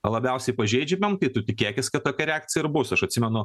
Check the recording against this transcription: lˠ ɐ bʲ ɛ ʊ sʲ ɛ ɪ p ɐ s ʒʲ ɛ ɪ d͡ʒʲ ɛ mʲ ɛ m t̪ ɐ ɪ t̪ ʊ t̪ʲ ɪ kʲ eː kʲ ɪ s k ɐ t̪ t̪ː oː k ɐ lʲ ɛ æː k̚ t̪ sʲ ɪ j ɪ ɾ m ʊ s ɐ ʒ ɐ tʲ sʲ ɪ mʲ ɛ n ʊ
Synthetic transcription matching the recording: lˠ ɐ bʲ ɛ ʊ sʲ ɛ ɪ p ɐ ʒʲ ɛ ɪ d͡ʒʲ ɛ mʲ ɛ m t̪ ɐ ɪ t̪ ʊ t̪ʲ ɪ kʲ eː kʲ ɪ s k ɐ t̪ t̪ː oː k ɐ ɾʲ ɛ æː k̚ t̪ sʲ ɪ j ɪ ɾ b ʊ s ɐ ʃ ɐ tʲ sʲ ɪ mʲ ɛ n ʊ